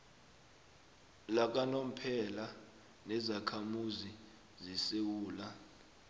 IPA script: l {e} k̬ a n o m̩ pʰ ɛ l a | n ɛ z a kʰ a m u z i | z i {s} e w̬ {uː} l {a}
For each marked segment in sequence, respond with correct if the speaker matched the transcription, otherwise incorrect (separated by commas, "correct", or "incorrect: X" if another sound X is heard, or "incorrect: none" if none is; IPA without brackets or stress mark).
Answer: incorrect: a, correct, correct, correct